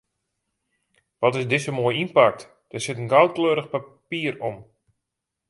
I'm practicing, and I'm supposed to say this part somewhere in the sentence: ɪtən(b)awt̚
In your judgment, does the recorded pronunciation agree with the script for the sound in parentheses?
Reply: no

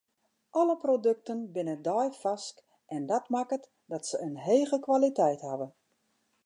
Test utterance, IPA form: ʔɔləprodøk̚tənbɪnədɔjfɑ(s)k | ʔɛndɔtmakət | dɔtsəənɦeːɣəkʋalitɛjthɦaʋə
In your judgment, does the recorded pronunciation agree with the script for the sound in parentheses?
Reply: yes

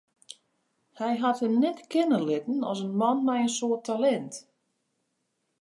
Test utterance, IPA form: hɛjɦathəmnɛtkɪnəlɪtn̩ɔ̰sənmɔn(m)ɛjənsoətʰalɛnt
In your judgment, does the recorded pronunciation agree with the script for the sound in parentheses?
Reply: yes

